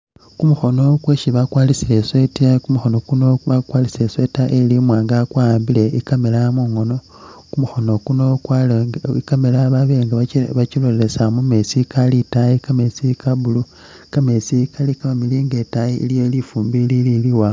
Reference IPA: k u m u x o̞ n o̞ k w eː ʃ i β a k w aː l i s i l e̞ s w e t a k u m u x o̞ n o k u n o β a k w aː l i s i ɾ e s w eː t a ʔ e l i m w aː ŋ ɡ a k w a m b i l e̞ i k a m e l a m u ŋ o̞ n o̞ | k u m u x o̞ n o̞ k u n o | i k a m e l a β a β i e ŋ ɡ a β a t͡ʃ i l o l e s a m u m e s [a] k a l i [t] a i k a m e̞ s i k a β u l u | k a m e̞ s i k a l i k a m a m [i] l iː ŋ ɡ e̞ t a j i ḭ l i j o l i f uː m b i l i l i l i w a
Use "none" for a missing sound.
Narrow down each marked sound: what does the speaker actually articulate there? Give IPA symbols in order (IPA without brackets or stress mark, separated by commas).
i, t, i